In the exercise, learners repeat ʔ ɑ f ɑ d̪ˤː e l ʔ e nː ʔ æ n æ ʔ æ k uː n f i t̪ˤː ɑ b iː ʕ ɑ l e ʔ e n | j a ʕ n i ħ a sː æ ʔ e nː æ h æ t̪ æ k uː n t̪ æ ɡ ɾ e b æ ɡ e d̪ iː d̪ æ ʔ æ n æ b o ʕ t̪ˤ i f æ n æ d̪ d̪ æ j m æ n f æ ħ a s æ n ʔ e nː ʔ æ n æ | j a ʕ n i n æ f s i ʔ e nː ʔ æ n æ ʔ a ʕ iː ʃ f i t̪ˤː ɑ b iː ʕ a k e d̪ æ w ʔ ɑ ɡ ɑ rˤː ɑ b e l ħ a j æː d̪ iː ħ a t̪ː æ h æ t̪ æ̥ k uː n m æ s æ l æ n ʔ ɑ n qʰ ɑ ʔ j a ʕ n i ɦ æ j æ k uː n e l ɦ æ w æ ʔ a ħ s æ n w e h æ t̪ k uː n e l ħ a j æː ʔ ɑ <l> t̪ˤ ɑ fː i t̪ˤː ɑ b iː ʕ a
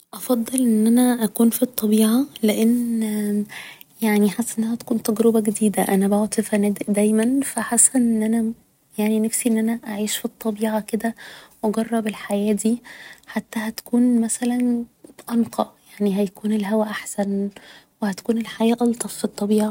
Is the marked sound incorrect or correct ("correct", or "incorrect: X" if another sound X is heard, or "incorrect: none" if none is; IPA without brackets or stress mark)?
correct